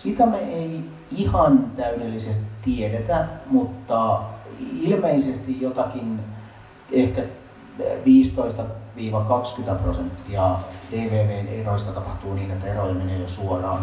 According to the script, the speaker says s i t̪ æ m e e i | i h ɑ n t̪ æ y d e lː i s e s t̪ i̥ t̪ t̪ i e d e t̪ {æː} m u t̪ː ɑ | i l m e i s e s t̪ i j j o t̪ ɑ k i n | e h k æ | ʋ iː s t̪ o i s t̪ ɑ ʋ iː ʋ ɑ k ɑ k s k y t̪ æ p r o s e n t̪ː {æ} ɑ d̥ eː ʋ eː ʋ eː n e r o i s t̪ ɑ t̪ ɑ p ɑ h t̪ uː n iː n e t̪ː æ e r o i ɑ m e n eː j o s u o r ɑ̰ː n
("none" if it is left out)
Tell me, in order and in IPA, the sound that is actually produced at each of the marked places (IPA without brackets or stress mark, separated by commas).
æ, i